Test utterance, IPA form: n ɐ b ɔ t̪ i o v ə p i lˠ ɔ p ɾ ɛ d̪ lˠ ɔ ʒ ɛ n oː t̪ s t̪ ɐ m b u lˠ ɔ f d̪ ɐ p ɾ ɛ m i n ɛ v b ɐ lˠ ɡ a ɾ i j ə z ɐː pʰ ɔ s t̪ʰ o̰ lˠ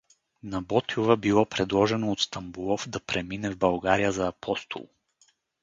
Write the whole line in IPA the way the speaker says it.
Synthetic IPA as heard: n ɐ b ɔ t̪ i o v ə b i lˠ ɔ p ɾ ɛ d̪ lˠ ɔ ʒ ɛ n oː t̪ s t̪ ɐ m b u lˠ ɔ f d̪ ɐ p ɾ ɛ m i n ɛ v b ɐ lˠ ɡ a ɾ i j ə z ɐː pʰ ɔ s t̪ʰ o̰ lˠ